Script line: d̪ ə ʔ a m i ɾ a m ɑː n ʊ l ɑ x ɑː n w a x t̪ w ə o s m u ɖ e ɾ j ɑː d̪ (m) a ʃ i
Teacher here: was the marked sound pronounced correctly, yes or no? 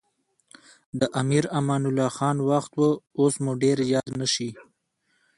no